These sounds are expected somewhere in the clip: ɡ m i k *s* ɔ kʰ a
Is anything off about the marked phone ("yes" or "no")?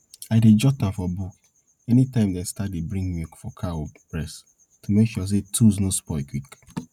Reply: yes